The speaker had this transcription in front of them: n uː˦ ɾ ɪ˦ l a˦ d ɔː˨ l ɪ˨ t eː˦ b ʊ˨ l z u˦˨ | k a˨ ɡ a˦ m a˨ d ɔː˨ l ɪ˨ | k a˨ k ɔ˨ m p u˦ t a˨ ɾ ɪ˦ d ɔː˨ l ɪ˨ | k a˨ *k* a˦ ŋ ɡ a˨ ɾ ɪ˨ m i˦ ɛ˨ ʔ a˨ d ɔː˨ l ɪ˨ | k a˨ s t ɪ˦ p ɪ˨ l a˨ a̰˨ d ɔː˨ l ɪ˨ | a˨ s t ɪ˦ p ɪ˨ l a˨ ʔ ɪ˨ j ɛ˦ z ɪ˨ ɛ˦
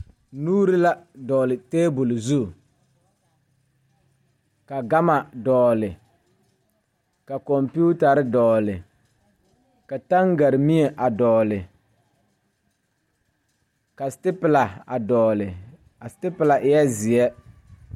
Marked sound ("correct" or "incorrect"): incorrect